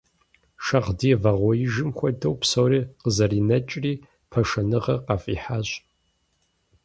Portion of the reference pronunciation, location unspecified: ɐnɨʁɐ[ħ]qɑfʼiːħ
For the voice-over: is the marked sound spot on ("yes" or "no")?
no